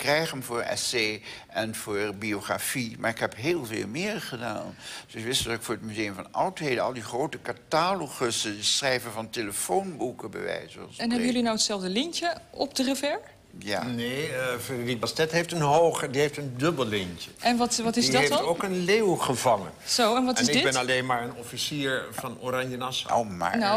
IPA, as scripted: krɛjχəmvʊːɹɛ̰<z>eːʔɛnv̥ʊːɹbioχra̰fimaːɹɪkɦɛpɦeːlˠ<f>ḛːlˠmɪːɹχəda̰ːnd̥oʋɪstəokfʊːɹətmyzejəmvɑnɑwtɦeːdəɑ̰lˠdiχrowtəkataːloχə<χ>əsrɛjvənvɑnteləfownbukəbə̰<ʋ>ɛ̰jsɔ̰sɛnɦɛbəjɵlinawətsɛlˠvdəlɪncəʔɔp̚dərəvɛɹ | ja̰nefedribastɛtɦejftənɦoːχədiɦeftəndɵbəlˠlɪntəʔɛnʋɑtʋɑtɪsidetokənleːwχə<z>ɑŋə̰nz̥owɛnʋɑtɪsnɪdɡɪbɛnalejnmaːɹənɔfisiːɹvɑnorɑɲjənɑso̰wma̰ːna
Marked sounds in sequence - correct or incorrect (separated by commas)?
incorrect, incorrect, incorrect, correct, incorrect